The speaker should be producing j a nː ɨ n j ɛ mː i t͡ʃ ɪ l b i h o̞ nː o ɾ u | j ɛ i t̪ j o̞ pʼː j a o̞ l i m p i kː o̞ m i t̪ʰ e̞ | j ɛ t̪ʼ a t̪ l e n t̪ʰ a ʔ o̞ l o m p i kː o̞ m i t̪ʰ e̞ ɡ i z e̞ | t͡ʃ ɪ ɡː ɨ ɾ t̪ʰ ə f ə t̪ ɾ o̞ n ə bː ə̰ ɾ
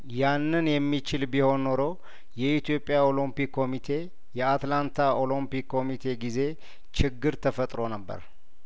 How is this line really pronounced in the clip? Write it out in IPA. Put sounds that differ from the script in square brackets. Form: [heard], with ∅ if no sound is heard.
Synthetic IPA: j a nː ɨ n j ɛ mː i t͡ʃ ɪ l b i h o̞ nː o ɾ [o] | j ɛ i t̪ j o̞ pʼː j a o̞ l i m p i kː o̞ m i t̪ʰ e̞ | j ɛ [∅] a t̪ l [a] n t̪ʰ a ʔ o̞ l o m p i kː o̞ m i t̪ʰ e̞ ɡ i z e̞ | t͡ʃ ɪ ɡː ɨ ɾ t̪ʰ ə f ə [t̪ʼ] ɾ o̞ n ə bː ə̰ ɾ